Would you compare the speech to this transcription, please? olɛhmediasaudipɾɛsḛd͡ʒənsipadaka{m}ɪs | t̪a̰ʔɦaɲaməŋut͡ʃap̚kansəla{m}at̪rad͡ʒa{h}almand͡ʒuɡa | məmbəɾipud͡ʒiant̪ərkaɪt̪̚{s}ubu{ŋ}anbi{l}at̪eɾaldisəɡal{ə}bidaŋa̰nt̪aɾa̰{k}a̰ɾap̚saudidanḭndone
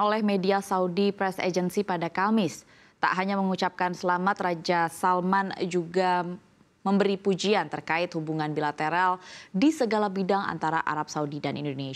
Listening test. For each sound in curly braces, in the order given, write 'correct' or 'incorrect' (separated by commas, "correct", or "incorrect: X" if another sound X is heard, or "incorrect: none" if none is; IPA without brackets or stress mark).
correct, correct, incorrect: s, incorrect: h, correct, correct, incorrect: a, incorrect: ʔ